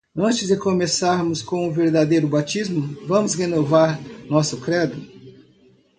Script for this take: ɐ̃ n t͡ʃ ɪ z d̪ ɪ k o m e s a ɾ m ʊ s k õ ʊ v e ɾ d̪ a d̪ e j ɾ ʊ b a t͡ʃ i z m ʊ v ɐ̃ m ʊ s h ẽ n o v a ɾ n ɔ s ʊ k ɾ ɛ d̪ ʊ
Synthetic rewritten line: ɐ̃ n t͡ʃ ɪ z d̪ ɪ k o m e s a ɾ m ʊ s k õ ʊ v e ɾ d̪ a d̪ e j ɾ ʊ b a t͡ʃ i z m ʊ v ɐ̃ m ʊ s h e n o v a ɾ n ɔ s ʊ k ɾ ɛ d̪ ʊ